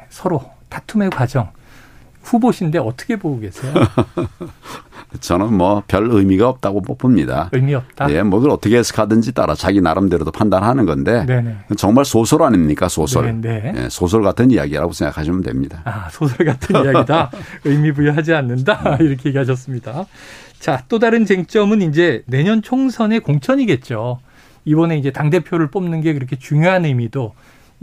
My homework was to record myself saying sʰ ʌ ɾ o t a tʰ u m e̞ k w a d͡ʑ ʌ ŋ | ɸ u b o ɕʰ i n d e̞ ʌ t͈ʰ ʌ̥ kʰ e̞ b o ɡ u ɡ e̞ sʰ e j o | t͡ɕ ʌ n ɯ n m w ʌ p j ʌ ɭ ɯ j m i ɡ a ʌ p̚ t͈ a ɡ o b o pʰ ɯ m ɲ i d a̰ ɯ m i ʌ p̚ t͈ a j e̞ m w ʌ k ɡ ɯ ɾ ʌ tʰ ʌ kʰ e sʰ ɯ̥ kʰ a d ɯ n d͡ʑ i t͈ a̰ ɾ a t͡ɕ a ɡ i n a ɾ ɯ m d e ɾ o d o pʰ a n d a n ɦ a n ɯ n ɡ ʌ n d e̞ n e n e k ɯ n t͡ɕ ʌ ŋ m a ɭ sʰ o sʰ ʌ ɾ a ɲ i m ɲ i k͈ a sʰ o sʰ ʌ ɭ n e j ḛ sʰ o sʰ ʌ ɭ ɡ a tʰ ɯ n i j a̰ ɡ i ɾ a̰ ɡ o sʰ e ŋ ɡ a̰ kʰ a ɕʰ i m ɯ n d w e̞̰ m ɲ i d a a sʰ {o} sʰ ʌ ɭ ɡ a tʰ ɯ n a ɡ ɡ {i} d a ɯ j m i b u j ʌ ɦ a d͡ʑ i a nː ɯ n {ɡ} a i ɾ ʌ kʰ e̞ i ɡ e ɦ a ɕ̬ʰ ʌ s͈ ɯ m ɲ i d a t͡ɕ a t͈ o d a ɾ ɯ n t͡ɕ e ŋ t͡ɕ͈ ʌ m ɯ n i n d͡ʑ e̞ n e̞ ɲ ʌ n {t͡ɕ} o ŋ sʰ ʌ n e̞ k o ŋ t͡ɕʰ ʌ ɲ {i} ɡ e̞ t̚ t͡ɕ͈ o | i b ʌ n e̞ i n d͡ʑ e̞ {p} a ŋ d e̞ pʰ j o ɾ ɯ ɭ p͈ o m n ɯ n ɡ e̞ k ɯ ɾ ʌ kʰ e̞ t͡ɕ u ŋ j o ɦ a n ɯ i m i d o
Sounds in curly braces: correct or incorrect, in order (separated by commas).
correct, correct, incorrect, incorrect, correct, incorrect